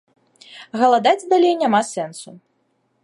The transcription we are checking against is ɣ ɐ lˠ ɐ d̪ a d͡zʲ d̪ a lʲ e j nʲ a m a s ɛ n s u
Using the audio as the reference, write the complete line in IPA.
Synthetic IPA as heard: ɣ ɐ lˠ a d̪ a d͡zʲ d̪ a lʲ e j nʲ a m a s ɛ n s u